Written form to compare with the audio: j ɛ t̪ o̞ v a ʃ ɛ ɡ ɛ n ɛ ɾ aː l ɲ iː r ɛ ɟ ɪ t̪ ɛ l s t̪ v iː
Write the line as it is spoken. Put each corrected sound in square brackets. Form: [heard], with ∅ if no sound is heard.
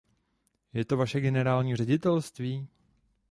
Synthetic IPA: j ɛ t̪ o̞ v a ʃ ɛ ɡ ɛ n ɛ ɾ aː l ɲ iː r ɛ ɟ ɪ t̪ ɛ l s t̪ v iː